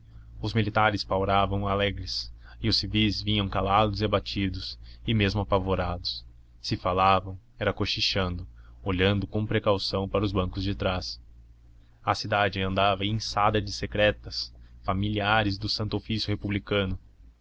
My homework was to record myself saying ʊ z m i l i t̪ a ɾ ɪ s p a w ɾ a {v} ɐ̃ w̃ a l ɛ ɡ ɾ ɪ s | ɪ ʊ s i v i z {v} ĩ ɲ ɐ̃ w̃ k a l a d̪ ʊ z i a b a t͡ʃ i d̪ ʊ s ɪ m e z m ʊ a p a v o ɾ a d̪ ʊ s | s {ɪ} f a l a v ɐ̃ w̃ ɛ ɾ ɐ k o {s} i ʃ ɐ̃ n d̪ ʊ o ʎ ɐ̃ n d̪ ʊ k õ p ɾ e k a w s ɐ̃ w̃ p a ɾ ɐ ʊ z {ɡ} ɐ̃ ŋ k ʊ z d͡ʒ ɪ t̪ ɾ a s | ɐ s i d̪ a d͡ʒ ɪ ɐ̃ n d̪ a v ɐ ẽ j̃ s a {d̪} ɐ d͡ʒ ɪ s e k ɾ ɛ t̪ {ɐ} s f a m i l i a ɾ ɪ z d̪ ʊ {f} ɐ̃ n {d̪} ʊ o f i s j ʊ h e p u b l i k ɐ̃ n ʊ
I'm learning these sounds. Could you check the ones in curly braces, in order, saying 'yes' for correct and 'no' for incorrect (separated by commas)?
yes, yes, yes, no, no, yes, yes, no, no